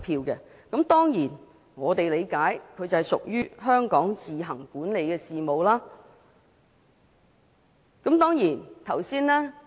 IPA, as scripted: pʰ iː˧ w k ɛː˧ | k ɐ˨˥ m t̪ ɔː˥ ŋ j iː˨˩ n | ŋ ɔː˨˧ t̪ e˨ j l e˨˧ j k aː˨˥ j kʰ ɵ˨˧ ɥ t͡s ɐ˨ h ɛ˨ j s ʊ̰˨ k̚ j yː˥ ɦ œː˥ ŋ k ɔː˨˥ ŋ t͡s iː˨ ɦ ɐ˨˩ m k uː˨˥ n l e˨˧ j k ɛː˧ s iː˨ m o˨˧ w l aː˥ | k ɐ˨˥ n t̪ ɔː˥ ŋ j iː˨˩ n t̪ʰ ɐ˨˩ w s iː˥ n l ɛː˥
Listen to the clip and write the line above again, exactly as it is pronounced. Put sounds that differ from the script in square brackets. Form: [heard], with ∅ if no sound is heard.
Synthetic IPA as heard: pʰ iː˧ w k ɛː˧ | k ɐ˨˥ m t̪ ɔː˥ ŋ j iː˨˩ n | ŋ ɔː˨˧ t̪ e˨ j l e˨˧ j k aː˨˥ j kʰ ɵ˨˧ ɥ t͡s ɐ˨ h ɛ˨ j s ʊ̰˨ k̚ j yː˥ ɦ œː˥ ŋ k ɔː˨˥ ŋ t͡s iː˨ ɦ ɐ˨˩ [ŋ] k uː˨˥ n l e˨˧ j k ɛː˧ s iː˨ m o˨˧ w l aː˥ | k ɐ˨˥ [m] t̪ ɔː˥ ŋ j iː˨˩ n t̪ʰ ɐ˨˩ w s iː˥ n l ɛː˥

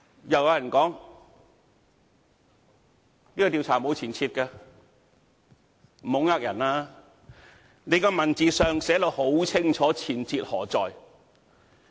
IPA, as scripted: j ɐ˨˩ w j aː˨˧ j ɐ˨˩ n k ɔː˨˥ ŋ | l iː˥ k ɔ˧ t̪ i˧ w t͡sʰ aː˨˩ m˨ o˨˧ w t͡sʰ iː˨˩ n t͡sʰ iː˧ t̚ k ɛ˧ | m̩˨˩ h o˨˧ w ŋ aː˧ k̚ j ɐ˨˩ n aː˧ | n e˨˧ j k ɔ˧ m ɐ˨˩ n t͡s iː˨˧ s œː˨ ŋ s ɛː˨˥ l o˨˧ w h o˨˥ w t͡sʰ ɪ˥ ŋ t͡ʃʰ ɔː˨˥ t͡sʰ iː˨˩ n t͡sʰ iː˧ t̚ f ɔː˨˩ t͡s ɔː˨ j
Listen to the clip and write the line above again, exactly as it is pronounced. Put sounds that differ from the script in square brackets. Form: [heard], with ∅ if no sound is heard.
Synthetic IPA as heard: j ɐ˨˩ w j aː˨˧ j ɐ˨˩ n k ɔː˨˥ ŋ | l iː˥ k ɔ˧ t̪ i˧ w t͡sʰ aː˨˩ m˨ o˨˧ w t͡sʰ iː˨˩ n t͡sʰ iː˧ t̚ k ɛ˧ | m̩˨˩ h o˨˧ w ŋ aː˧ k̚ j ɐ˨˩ n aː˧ | n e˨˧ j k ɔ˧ m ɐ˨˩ n t͡s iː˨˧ s œː˨ ŋ s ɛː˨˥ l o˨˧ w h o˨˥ w t͡sʰ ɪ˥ ŋ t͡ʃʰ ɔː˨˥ t͡sʰ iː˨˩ n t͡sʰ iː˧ t̚ [h] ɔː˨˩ t͡s ɔː˨ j

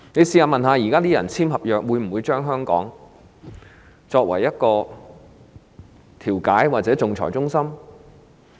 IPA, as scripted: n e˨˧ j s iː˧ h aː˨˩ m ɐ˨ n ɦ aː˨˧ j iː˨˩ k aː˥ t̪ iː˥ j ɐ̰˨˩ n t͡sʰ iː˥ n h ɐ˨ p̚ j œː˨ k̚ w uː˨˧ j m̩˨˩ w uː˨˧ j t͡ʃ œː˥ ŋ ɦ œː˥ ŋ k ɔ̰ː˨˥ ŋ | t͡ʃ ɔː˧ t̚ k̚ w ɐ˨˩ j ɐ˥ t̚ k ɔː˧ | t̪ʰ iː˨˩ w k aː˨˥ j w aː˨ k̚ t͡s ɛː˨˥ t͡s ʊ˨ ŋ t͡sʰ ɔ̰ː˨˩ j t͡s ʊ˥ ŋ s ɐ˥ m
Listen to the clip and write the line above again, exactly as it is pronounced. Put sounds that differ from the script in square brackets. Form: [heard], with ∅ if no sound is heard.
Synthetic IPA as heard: n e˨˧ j s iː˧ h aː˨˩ m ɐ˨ n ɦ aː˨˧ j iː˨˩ k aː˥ t̪ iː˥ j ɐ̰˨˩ n t͡sʰ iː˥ [m] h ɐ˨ p̚ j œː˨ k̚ w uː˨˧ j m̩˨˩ w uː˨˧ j t͡ʃ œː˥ ŋ ɦ œː˥ ŋ k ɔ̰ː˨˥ ŋ | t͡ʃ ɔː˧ [∅] k̚ w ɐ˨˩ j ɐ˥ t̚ k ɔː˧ | t̪ʰ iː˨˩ w k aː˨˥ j w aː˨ [t̚] t͡s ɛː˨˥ t͡s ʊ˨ ŋ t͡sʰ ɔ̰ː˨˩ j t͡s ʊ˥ ŋ s ɐ˥ m

